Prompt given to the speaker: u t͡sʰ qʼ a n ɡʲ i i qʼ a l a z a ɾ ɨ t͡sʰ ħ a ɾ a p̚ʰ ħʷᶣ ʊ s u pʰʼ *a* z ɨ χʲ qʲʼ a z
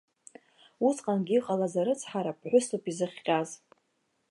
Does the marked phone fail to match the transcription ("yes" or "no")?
yes